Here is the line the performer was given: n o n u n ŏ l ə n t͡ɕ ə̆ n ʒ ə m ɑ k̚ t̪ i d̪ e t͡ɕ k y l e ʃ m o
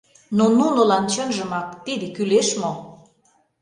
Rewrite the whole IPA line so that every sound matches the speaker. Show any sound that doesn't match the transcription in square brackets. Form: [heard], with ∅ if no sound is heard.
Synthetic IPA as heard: n o n u n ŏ l [ɑ] n t͡ɕ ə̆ n ʒ ə m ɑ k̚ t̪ i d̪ e [∅] k y l e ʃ m o